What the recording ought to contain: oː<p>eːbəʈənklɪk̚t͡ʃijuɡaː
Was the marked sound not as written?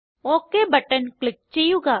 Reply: yes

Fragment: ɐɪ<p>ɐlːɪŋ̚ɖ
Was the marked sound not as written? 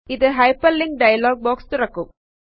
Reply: no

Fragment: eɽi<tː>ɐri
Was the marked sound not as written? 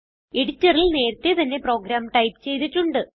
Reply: no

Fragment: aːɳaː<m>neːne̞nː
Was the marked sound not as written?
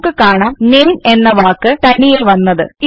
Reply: no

